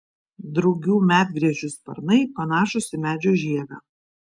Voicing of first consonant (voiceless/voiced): voiced